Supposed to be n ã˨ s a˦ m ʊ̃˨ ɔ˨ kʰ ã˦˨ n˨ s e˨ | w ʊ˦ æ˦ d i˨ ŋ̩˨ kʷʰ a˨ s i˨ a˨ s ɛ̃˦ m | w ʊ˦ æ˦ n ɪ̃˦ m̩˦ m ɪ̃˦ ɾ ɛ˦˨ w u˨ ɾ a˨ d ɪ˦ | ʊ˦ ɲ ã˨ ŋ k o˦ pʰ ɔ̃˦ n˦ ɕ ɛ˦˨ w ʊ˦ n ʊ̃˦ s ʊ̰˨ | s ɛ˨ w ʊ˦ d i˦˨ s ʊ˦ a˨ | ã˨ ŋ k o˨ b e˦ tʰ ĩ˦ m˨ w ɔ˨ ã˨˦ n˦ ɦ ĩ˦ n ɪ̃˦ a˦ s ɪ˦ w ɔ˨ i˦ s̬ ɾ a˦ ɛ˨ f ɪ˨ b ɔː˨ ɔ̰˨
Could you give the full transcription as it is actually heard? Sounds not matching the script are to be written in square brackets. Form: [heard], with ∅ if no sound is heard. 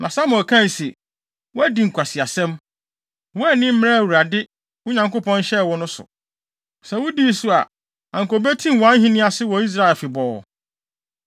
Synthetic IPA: n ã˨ s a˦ m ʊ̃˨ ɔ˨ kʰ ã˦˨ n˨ s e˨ | w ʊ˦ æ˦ d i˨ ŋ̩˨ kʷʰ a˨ s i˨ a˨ s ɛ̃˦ m | w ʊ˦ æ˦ n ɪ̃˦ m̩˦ m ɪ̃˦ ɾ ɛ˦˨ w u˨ ɾ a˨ d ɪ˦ | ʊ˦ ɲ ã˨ ŋ k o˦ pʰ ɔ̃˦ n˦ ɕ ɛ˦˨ w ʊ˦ n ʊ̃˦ s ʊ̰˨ | s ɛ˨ w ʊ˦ d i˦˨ s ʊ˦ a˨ | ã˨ ŋ k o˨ b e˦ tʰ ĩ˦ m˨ w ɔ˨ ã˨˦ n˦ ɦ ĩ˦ n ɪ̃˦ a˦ s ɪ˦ w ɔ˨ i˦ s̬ ɾ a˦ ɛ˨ f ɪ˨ b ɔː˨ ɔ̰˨